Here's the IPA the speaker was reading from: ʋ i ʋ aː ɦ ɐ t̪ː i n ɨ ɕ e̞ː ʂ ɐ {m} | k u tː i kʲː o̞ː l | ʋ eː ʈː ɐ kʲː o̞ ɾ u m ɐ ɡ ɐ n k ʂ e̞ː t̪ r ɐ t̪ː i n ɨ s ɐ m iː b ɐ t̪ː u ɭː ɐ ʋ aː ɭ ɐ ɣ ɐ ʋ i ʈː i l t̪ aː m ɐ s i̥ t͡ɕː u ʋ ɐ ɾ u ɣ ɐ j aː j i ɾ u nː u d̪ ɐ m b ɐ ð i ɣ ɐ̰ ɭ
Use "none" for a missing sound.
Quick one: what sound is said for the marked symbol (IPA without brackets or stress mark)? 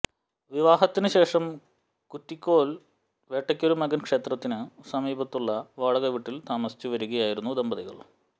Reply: m